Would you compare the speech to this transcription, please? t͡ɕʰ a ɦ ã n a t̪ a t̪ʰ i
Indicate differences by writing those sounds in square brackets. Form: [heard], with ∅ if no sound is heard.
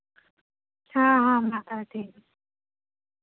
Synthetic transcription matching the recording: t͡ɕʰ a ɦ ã [m] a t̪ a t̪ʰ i